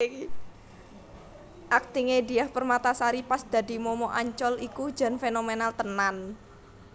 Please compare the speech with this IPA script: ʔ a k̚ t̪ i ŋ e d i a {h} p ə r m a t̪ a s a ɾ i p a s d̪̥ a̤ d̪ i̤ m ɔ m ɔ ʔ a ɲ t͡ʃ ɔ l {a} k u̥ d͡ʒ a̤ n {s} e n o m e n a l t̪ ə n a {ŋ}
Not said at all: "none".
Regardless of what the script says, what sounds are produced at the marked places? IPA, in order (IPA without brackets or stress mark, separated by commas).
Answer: h, i, f, n